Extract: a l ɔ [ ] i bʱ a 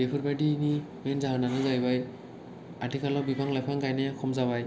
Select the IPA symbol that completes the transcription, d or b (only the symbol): b